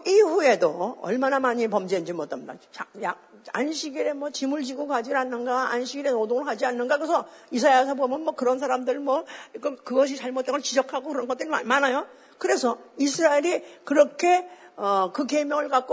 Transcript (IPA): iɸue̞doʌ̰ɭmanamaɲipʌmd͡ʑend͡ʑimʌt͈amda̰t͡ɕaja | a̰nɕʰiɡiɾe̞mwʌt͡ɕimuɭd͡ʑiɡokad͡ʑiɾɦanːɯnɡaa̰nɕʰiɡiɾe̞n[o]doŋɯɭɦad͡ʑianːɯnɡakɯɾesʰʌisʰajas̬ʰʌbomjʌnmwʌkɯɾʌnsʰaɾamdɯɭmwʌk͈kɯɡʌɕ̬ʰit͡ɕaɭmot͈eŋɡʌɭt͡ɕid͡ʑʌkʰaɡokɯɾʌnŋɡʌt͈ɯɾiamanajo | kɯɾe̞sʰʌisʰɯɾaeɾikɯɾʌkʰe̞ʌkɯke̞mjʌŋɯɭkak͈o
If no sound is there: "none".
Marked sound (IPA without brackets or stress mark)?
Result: o